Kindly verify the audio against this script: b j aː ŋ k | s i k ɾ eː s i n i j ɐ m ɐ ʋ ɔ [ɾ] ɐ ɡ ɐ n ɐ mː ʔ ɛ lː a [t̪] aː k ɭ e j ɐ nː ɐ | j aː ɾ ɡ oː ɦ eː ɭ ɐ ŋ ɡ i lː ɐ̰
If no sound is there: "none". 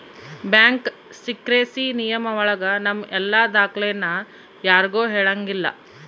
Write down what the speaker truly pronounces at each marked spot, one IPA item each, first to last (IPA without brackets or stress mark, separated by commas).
ɭ, d̪